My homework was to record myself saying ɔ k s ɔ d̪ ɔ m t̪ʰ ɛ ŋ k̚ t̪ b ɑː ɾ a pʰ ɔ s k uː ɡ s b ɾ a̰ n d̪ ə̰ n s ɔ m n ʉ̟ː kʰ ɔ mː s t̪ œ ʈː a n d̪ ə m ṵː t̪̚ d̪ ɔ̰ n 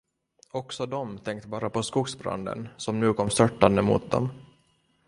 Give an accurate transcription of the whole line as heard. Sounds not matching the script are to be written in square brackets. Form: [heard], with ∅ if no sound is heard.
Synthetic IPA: ɔ k s ɔ d̪ ɔ m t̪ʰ ɛ ŋ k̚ t̪ b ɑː ɾ a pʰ ɔ s k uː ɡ s b ɾ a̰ n d̪ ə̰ n s ɔ m n ʉ̟ː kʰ ɔ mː s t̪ œ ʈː a n d̪ ə m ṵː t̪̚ d̪ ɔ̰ [m]